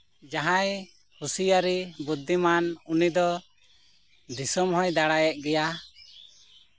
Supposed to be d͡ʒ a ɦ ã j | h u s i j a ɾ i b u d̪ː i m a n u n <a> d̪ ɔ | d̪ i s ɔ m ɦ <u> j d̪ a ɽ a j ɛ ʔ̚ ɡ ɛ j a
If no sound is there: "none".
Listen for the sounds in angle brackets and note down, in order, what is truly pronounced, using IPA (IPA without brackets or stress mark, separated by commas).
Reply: i, ɔ